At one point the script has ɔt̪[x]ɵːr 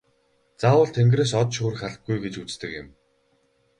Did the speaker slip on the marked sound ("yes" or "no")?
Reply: yes